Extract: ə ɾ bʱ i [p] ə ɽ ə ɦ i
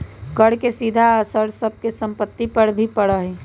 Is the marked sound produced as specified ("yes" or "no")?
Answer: yes